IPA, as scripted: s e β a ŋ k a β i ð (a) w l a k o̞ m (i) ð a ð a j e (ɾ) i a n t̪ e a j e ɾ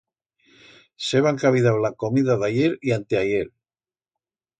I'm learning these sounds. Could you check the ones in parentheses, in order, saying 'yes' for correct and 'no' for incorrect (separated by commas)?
yes, yes, yes